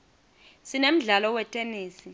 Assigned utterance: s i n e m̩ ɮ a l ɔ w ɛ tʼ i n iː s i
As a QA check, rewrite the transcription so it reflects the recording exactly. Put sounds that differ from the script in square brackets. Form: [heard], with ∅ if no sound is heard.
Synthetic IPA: s i n e m̩ ɮ a l ɔ w ɛ tʼ [e] n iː s i